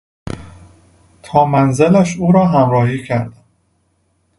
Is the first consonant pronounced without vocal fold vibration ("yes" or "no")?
yes